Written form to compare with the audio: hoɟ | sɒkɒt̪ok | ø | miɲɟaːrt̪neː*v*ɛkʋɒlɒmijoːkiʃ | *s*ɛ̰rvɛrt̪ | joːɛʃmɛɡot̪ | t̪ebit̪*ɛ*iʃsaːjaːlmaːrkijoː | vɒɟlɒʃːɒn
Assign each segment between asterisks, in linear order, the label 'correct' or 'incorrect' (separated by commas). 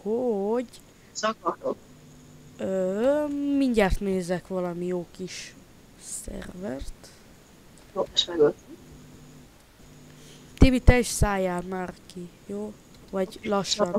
incorrect, correct, correct